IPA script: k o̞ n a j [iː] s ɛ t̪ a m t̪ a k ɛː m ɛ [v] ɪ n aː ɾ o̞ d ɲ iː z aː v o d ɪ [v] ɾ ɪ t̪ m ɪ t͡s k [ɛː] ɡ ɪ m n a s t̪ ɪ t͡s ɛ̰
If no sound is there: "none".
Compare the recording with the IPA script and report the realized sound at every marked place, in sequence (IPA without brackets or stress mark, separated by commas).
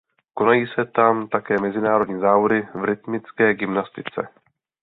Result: iː, z, v, ɛː